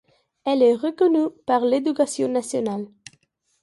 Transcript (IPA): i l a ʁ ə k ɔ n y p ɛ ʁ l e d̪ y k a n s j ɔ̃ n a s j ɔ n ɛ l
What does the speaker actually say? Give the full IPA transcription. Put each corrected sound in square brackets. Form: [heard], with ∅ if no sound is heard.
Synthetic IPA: [ɛ] l [ɛ] ʁ ə k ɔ n y p [a] ʁ l e d̪ y k a [∅] s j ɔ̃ n a s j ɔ n [a] l